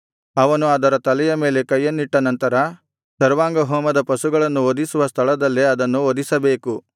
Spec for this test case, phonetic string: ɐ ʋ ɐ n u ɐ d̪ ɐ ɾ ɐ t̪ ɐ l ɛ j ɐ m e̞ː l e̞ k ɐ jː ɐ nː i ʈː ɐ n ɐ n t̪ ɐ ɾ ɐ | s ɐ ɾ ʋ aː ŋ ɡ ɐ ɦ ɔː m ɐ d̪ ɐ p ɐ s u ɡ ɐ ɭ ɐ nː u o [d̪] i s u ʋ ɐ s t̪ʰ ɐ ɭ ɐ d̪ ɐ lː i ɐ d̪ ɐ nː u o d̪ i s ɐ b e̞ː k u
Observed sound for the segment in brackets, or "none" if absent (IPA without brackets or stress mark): d̪